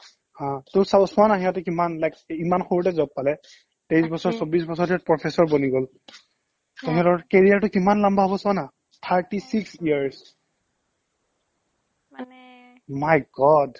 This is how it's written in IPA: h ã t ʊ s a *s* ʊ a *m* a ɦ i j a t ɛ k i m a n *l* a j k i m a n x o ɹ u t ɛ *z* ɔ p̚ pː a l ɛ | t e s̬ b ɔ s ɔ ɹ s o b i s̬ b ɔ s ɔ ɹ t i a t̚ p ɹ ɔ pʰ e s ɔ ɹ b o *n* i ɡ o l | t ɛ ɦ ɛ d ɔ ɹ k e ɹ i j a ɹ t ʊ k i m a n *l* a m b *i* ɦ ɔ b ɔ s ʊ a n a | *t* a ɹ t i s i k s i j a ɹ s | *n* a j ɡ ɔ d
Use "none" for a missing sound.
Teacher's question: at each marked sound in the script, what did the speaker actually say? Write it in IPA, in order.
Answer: s, n, l, z, n, l, a, tʰ, m

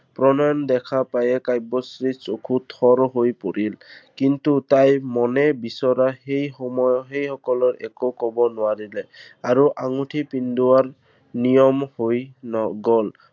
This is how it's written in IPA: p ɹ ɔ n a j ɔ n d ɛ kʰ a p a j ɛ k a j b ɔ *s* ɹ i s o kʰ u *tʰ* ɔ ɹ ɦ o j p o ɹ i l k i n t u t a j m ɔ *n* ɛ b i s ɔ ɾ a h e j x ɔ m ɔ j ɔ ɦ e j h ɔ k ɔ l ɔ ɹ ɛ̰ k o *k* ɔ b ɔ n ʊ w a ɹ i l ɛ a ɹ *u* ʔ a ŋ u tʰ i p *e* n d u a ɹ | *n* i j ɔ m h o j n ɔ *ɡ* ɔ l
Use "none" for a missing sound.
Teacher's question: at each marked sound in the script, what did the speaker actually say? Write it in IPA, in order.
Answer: s, tʰ, n, k, u, i, n, ɡ

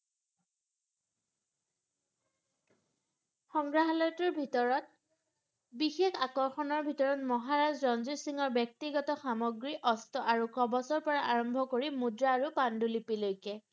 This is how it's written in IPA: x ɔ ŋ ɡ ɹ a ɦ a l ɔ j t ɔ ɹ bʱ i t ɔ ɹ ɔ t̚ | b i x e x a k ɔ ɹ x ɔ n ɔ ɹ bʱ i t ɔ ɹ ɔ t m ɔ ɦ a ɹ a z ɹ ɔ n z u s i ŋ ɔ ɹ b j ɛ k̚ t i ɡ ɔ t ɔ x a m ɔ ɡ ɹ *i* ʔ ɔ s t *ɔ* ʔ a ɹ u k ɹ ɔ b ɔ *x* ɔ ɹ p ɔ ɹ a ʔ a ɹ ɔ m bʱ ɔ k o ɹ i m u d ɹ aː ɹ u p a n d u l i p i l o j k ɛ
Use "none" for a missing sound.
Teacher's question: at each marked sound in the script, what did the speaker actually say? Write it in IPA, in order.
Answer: i, ɔ, s

